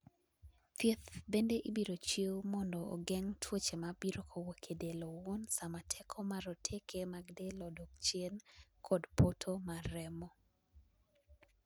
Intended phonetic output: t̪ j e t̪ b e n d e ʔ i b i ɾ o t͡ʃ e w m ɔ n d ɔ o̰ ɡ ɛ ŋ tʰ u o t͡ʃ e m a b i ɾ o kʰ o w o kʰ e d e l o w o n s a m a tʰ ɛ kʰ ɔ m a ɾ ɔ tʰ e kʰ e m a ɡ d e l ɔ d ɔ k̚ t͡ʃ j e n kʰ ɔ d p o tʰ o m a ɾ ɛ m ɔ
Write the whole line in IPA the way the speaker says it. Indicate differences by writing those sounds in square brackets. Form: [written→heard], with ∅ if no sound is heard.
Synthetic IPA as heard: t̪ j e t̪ b e n d e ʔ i b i ɾ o t͡ʃ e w m ɔ n d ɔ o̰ ɡ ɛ ŋ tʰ [u→w] o t͡ʃ e m a b i ɾ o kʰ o w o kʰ e d e l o w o n s a m a tʰ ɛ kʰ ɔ m a ɾ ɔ tʰ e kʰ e m a ɡ d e l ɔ d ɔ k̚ t͡ʃ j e n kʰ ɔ d p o tʰ o m a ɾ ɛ m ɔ